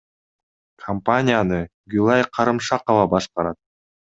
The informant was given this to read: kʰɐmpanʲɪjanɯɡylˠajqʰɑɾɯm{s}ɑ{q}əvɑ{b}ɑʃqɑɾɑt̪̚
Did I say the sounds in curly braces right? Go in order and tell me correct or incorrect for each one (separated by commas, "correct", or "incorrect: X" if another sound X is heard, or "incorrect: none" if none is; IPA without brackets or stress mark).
incorrect: ʃ, correct, correct